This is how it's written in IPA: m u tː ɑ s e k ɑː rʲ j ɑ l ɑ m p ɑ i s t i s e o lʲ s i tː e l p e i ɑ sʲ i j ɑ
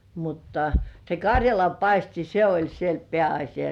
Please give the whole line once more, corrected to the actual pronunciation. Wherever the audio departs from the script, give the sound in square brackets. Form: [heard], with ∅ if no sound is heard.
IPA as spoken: m u tː ɑ s e k [ɑ] rʲ j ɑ l ɑ m p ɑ i s t i s e o lʲ s i [∅] e l p e [æ] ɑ sʲ i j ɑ